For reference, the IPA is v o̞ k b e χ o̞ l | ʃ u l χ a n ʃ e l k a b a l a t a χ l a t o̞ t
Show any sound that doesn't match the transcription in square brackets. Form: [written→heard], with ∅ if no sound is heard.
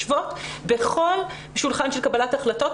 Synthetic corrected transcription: v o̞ [k→t] b e χ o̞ l | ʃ u l χ a n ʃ e l k a b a l a t a χ l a t o̞ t